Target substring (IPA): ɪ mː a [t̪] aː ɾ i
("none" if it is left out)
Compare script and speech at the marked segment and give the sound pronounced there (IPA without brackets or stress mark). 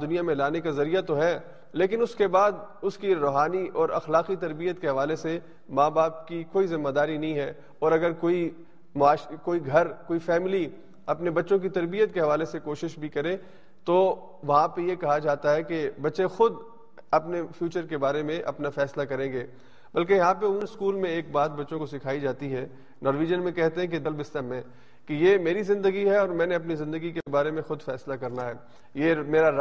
d̪